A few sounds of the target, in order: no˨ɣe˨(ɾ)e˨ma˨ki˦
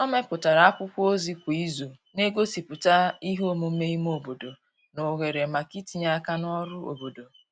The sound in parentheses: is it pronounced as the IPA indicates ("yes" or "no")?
yes